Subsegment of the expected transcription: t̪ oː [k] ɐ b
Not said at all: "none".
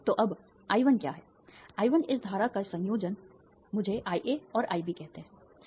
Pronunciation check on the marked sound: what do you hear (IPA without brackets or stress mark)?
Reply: ʔ